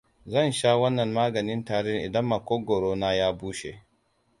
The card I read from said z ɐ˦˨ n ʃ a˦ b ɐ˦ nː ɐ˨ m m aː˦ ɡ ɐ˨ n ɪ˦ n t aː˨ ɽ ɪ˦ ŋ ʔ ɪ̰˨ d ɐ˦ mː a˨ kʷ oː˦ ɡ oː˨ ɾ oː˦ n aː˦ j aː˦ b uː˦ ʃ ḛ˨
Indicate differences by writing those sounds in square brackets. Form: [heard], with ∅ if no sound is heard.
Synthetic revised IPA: z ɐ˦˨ n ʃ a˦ [w] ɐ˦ nː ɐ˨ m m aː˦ ɡ ɐ˨ n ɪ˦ n t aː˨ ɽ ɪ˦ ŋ ʔ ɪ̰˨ d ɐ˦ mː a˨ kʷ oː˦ ɡ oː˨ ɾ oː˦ n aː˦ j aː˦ b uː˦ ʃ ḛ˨